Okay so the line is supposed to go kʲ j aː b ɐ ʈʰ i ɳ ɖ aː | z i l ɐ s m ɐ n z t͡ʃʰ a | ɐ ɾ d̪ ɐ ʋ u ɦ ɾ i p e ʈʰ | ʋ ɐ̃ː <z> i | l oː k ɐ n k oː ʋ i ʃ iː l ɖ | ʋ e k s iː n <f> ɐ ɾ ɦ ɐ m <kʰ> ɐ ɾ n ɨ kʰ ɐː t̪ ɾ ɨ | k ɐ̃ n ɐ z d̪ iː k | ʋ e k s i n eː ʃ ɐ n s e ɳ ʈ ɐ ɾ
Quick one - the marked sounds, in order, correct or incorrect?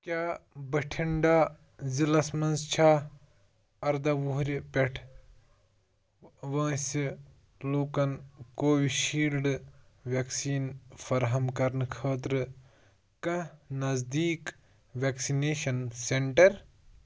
incorrect, correct, incorrect

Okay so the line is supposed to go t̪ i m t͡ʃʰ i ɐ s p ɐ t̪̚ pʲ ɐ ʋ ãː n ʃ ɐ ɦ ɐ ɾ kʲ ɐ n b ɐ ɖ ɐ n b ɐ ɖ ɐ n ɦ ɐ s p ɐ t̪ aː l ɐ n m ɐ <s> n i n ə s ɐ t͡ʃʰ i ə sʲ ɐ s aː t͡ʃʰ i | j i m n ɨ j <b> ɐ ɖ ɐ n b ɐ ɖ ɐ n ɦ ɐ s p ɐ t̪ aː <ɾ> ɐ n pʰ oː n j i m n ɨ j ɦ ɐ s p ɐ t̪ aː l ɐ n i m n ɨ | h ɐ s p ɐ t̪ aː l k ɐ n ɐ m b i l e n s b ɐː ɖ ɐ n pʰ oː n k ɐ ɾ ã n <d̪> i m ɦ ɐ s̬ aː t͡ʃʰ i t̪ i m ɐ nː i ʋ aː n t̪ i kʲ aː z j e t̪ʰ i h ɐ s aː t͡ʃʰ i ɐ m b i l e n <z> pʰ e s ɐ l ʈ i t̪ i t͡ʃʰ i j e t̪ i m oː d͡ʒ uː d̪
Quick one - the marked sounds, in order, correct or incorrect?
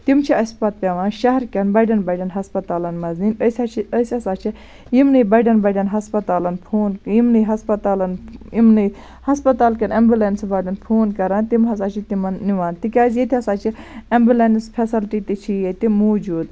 incorrect, correct, incorrect, incorrect, incorrect

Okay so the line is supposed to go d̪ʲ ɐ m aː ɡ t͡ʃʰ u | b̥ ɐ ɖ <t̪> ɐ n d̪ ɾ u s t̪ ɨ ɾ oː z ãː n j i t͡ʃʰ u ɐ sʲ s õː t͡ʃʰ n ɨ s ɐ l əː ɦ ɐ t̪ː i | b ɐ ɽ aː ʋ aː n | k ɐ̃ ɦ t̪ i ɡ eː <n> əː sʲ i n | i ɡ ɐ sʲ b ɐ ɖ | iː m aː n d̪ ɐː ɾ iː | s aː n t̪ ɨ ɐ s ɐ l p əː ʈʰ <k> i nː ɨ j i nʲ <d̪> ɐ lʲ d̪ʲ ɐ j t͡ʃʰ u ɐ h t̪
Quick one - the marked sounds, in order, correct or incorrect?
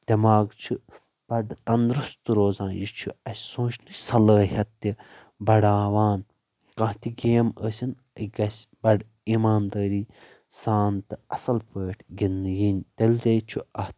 correct, incorrect, incorrect, incorrect

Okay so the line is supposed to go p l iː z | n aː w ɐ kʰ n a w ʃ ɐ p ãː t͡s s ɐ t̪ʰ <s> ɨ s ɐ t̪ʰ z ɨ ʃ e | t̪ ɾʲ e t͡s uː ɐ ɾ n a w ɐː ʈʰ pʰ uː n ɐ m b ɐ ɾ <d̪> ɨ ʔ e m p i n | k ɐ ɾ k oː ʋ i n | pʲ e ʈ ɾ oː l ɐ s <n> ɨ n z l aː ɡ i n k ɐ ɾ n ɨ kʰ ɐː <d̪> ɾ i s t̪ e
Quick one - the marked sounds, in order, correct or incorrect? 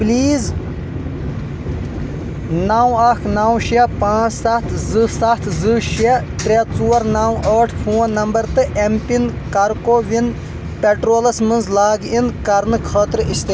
incorrect, incorrect, incorrect, incorrect

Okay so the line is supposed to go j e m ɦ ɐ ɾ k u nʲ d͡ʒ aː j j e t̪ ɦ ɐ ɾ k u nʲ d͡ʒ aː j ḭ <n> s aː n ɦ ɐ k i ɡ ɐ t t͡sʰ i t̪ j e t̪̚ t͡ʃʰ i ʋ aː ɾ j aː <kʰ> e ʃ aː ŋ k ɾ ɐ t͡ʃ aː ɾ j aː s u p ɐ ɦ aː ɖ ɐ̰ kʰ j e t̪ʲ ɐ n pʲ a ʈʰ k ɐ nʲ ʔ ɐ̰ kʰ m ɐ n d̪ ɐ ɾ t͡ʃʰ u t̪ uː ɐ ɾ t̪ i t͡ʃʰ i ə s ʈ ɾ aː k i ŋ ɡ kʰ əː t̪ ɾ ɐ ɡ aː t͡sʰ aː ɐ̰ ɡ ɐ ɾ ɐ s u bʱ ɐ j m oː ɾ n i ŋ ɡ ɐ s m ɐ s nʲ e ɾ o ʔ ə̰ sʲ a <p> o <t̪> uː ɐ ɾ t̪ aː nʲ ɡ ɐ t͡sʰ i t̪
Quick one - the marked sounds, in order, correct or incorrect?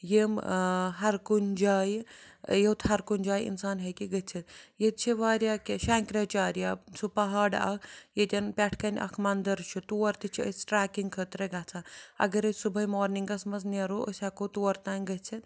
correct, incorrect, incorrect, correct

